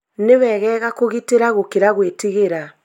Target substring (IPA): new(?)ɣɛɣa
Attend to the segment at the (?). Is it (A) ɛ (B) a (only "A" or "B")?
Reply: A